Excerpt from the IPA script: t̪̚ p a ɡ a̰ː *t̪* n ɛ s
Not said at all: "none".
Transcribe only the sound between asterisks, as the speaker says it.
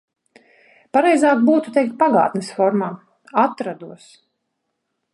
t̪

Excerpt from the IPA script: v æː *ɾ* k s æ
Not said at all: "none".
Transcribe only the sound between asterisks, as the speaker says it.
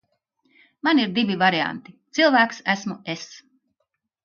none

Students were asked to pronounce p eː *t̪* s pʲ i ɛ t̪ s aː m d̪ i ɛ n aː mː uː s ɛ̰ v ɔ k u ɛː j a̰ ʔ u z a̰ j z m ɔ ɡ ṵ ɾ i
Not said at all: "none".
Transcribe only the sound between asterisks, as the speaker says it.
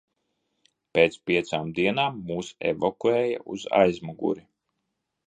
t̪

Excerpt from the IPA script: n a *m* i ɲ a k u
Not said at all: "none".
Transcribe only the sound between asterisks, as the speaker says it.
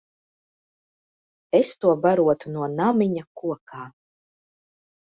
m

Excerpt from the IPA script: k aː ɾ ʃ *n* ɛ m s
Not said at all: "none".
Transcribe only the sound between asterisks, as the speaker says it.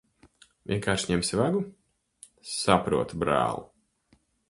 ɲ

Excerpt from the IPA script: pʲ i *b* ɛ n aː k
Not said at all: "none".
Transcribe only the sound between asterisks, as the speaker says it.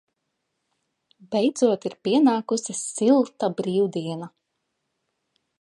none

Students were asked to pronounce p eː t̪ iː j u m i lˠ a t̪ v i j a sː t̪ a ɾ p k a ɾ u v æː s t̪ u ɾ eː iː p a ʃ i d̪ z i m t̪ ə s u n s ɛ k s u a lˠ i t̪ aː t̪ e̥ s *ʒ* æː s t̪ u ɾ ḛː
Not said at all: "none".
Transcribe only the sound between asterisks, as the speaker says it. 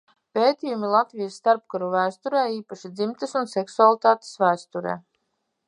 v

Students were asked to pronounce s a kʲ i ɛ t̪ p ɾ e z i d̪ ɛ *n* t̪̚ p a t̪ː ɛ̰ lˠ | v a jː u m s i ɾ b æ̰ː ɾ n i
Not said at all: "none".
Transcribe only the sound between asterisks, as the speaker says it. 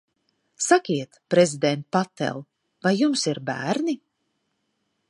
n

